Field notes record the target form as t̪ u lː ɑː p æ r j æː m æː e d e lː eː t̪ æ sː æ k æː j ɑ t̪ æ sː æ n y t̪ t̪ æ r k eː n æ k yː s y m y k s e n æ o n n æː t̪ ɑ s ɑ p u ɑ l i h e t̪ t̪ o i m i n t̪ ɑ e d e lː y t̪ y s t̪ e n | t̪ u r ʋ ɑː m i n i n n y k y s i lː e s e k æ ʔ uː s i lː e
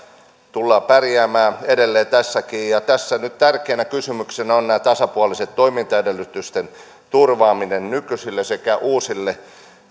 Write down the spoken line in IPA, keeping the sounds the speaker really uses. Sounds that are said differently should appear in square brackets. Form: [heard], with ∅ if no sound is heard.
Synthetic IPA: t̪ u lː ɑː p æ r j æː m æː e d e lː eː t̪ æ sː æ k [iː] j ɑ t̪ æ sː æ n y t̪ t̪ æ r k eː n æ k [y] s y m y k s e n æ o n n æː t̪ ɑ s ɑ p u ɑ l i [s] e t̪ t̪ o i m i n t̪ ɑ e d e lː y t̪ y s t̪ e n | t̪ u r ʋ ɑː m i n [e] n n y k y s i lː e s e k æ ʔ uː s i lː e